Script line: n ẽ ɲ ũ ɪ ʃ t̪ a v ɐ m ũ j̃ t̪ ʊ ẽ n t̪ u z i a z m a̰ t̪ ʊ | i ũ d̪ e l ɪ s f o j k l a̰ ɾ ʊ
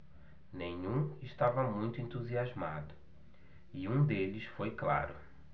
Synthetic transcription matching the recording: n ẽ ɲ ũ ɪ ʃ t̪ a v ɐ m ũ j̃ t̪ ʊ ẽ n t̪ u z i a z m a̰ d̪ ʊ | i ũ d̪ e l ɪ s f o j k l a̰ ɾ ʊ